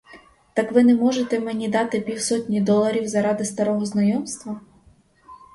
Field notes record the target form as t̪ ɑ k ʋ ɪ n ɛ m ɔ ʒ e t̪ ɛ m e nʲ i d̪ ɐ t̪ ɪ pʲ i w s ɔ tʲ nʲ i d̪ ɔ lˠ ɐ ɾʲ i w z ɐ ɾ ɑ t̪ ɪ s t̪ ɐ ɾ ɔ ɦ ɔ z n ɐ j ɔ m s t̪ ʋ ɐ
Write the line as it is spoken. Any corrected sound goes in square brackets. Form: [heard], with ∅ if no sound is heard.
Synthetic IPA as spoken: t̪ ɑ k ʋ ɪ n ɛ m ɔ ʒ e t̪ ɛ m e nʲ i d̪ [ɑ] t̪ ɪ pʲ i w s ɔ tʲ nʲ i d̪ ɔ lˠ ɐ ɾʲ i w z ɐ ɾ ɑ [d̪] ɪ s t̪ ɐ ɾ ɔ ɦ ɔ z n ɐ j ɔ m s t̪ ʋ ɐ